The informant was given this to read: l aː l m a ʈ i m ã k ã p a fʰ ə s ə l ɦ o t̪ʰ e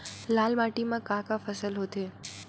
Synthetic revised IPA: l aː l m a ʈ i m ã k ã k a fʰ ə s ə l ɦ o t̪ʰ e